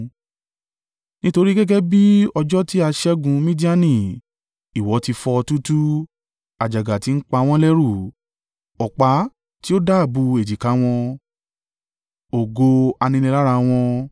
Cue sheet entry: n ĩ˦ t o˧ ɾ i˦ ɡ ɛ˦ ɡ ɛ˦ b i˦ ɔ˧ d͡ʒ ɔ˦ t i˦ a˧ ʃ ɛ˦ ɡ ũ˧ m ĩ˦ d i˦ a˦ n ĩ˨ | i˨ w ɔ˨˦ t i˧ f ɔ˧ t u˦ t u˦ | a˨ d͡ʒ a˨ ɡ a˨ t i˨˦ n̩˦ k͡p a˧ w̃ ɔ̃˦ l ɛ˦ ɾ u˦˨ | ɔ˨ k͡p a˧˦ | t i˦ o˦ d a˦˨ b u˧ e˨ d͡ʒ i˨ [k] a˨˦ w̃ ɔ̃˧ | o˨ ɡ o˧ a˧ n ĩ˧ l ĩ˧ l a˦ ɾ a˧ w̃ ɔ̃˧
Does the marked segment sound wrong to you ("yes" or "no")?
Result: no